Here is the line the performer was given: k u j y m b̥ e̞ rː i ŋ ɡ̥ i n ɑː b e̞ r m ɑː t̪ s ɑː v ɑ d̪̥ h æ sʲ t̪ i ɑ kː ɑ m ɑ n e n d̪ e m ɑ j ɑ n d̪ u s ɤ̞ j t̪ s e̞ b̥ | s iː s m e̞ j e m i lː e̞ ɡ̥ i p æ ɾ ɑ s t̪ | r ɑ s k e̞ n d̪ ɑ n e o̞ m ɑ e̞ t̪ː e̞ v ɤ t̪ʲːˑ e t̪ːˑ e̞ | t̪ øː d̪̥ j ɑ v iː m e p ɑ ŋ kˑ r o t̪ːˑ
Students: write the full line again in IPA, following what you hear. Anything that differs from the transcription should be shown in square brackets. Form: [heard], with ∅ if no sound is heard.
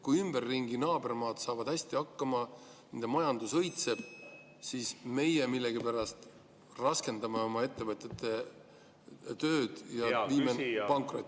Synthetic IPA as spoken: k u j y m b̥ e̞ rː i ŋ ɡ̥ i n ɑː b e̞ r m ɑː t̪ s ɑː v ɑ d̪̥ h æ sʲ t̪ i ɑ kː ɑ m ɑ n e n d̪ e m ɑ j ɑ n d̪ u s ɤ̞ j t̪ s e̞ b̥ | s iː s m e̞ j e m i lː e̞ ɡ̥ i p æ ɾ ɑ s t̪ | r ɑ s k e̞ n d̪ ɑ [m] e o̞ m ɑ e̞ t̪ː e̞ v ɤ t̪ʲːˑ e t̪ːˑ e̞ | t̪ øː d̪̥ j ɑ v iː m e p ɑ ŋ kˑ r o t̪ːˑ